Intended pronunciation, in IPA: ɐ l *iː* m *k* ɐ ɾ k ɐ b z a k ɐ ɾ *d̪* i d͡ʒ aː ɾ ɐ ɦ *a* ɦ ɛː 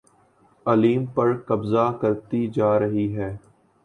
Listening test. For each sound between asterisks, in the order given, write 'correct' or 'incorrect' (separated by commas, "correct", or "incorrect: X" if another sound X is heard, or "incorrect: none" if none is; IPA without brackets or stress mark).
correct, incorrect: p, incorrect: t̪, incorrect: i